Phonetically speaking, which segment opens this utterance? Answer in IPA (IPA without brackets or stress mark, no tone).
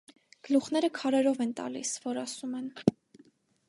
ɡ̥